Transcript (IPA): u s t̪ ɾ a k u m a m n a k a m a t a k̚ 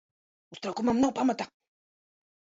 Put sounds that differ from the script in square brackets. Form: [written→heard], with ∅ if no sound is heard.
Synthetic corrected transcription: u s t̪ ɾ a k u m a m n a [k→p] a m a t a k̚